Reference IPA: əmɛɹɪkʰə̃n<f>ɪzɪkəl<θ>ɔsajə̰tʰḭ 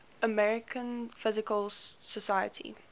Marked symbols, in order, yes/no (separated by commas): yes, no